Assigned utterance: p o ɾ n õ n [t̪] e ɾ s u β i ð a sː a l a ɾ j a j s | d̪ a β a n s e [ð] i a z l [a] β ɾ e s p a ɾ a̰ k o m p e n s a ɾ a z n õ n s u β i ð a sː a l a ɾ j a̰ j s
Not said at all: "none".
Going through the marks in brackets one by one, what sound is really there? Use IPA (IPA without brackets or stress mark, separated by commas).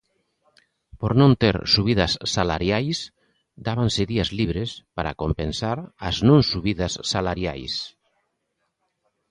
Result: t̪, ð, i